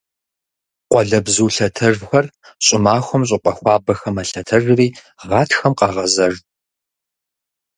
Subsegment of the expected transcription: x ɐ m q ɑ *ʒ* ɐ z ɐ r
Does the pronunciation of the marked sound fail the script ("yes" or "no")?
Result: yes